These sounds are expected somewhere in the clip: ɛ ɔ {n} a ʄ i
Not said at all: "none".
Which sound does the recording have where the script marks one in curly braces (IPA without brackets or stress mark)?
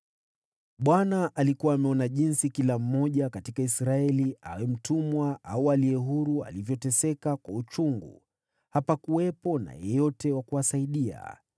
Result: n